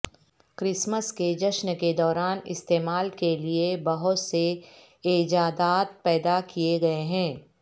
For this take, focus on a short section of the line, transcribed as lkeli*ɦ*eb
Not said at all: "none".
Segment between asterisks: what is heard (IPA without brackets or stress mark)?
none